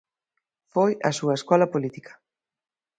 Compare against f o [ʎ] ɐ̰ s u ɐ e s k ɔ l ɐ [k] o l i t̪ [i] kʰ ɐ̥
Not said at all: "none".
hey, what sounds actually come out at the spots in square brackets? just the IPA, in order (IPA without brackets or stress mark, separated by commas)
j, p, i